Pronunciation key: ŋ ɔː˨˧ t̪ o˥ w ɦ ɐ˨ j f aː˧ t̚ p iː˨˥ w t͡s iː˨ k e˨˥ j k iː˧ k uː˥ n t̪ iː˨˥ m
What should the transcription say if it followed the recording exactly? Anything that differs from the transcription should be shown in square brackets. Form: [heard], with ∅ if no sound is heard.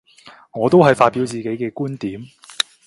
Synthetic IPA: ŋ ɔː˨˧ t̪ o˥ w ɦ ɐ˨ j f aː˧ t̚ p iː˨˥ w t͡s iː˨ k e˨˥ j k [ɛː˧] k uː˥ n t̪ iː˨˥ m